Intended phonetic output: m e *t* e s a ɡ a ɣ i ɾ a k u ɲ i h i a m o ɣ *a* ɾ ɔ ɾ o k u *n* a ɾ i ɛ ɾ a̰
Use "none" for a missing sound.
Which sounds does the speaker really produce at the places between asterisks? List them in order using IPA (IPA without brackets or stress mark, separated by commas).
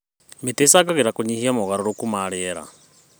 t, a, m